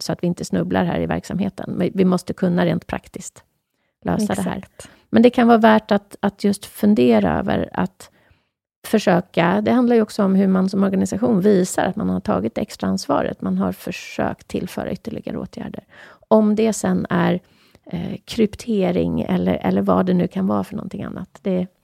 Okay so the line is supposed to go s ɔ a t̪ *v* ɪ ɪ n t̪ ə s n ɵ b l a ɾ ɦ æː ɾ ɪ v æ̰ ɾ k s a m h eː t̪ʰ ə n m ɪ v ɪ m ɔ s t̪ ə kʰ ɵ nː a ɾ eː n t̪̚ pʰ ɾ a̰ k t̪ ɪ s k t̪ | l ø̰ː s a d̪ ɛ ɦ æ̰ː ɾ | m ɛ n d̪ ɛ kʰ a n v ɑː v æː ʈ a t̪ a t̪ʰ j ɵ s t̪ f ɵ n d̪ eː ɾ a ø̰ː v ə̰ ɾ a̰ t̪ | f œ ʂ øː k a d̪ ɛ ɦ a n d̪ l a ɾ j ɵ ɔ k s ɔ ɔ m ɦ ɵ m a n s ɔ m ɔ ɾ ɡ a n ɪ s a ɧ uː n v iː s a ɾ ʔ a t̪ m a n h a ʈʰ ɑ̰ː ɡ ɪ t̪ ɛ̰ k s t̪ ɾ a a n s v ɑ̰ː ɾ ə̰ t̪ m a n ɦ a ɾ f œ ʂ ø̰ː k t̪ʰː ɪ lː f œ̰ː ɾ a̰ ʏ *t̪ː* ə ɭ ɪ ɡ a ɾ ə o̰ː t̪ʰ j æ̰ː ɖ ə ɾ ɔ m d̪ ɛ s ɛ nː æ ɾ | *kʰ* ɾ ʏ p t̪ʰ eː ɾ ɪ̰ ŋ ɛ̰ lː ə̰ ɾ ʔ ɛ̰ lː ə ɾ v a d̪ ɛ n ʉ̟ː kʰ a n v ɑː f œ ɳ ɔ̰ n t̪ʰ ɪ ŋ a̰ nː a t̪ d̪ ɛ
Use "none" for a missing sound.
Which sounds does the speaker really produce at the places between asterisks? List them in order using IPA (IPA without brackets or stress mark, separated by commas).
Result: v, t̪ː, kʰ